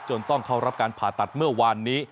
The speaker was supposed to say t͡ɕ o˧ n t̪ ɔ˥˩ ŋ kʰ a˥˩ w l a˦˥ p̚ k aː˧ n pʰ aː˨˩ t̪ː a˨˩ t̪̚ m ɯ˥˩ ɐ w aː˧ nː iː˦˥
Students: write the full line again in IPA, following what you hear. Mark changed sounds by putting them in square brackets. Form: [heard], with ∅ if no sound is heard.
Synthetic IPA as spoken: t͡ɕ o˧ n t̪ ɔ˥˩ ŋ kʰ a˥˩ w [ɾ] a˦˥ p̚ k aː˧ n pʰ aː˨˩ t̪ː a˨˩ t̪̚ m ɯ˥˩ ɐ w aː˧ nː iː˦˥